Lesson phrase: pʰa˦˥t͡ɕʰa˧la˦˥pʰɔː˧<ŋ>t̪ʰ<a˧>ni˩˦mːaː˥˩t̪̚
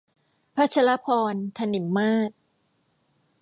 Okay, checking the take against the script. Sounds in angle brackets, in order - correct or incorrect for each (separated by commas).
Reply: incorrect, correct